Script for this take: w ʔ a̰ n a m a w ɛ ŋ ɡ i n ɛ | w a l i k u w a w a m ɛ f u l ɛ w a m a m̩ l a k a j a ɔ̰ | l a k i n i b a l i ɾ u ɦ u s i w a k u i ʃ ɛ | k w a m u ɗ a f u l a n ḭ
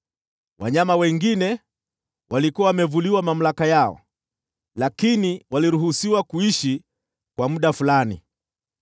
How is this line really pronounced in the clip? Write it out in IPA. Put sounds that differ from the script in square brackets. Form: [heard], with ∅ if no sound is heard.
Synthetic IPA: w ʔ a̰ [ɲ] a m a w ɛ ŋ ɡ i n ɛ | w a l i k u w a w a m ɛ [v] u l [i] w a m a m̩ l a k a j a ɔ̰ | l a k i n i [w] a l i ɾ u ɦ u s i w a k u i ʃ [i] | k w a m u ɗ a f u l a n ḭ